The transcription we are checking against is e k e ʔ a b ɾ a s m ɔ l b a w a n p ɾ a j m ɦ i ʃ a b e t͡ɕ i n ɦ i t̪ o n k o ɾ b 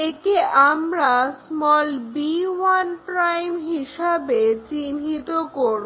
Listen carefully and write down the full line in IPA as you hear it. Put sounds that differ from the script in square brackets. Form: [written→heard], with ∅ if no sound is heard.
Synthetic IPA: e k e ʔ a [b→m] ɾ a s m ɔ l b [a→i] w a n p ɾ a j m ɦ i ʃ a b e t͡ɕ i n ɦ i t̪ o [n→∅] k o ɾ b